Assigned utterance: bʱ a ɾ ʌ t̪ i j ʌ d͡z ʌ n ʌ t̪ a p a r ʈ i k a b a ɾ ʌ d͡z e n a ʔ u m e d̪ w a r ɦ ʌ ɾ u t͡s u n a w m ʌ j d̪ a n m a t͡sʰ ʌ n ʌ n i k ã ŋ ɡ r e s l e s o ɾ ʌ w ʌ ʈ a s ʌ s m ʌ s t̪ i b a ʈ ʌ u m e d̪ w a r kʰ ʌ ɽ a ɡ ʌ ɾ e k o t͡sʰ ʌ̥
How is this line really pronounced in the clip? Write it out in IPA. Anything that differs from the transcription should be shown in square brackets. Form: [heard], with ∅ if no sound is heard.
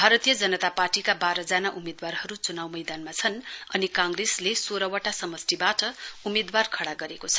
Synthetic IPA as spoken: bʱ a ɾ ʌ t̪ i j ʌ d͡z ʌ n ʌ t̪ a p a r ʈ i k a b a ɾ ʌ d͡z [a] n a ʔ u m e d̪ w a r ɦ ʌ ɾ u t͡s u n a w m ʌ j d̪ a n m a t͡sʰ ʌ n ʌ n i k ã ŋ ɡ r e s l e s o ɾ ʌ w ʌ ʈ a s ʌ [∅] m ʌ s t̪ i b a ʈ ʌ u m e d̪ w a r kʰ ʌ ɽ a ɡ ʌ ɾ e k o t͡sʰ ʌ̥